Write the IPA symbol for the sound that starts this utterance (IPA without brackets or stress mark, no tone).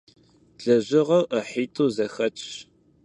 ɮ